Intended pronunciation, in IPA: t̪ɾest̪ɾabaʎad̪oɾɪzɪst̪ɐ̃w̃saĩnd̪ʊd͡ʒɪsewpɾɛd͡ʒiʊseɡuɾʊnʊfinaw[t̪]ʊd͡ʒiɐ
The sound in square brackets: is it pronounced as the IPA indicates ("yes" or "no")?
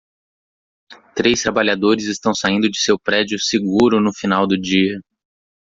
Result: no